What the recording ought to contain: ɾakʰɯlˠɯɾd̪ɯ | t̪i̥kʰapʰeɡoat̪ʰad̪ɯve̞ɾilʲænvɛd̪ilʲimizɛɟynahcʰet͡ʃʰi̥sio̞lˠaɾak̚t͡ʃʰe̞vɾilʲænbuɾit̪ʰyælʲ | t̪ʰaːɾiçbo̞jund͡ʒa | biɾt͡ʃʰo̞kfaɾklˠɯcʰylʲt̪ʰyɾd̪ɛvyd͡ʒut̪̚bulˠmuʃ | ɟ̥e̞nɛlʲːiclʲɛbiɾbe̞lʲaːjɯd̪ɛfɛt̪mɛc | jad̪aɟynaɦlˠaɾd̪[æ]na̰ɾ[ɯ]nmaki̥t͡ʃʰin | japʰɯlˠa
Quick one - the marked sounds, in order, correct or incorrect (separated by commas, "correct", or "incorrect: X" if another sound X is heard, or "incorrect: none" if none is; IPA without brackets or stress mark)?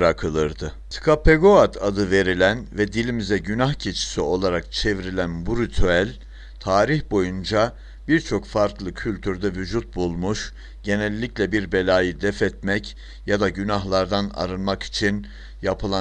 incorrect: a, correct